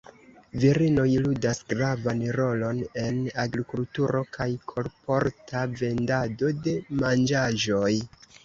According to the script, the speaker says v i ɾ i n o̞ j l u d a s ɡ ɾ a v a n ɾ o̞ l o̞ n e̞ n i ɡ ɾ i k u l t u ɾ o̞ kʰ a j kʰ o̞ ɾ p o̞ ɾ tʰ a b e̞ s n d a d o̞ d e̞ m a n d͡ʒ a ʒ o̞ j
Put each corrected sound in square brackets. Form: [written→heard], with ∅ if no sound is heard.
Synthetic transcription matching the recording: v i ɾ i n o̞ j l u d a s ɡ ɾ a v a n ɾ o̞ l o̞ n e̞ n [i→a] ɡ ɾ i k u l t u ɾ o̞ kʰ a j kʰ o̞ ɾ p o̞ ɾ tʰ a [b→v] e̞ [s→∅] n d a d o̞ d e̞ m a n d͡ʒ a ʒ o̞ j